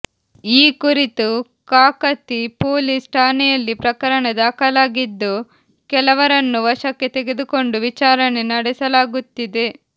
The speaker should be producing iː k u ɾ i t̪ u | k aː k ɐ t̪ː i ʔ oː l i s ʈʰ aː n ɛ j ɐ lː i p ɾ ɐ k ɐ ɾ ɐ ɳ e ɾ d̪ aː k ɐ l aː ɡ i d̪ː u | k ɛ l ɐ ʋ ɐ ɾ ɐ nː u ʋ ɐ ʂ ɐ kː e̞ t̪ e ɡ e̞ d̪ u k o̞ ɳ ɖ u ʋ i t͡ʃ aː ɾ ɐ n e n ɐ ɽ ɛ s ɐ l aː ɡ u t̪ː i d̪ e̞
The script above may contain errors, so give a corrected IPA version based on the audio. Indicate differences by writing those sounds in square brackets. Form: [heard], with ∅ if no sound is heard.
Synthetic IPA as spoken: iː k u ɾ i t̪ u | k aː k ɐ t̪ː i [p] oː l i s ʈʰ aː n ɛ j ɐ lː i p ɾ ɐ k ɐ ɾ ɐ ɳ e [∅] d̪ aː k ɐ l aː ɡ i d̪ː u | k ɛ l ɐ ʋ ɐ ɾ ɐ nː u ʋ ɐ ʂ ɐ kː e̞ t̪ e ɡ e̞ d̪ u k o̞ ɳ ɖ u ʋ i t͡ʃ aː ɾ ɐ n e n ɐ ɽ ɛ s ɐ l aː ɡ u t̪ː i d̪ e̞